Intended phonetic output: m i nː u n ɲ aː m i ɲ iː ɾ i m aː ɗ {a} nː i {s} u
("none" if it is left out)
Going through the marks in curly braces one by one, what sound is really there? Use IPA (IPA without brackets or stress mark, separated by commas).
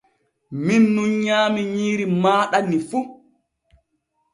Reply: a, f